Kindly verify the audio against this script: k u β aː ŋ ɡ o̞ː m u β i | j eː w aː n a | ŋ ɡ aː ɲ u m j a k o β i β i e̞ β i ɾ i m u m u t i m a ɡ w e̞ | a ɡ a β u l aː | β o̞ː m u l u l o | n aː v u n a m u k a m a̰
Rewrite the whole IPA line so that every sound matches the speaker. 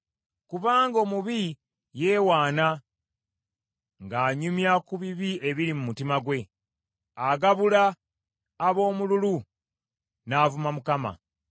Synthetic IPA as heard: k u β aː ŋ ɡ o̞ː m u β i | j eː w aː n a | ŋ ɡ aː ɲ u m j a k u β i β i e̞ β i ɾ i m u m u t i m a ɡ w e̞ | a ɡ a β u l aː | β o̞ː m u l u l u | n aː v u m a m u k a m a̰